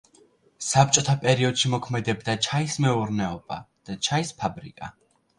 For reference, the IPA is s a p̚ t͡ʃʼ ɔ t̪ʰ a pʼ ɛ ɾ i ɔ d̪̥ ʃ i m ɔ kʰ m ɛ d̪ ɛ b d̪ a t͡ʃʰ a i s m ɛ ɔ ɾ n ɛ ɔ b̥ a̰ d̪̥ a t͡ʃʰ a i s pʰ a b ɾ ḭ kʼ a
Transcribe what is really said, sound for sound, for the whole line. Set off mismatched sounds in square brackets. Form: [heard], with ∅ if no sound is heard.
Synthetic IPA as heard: s a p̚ t͡ʃʼ ɔ t̪ʰ a pʼ ɛ ɾ i ɔ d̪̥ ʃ i m ɔ kʰ m ɛ d̪ ɛ b d̪ a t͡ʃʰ a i s m ɛ [u] ɾ n ɛ ɔ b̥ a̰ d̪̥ a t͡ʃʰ a i s pʰ a b ɾ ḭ kʼ a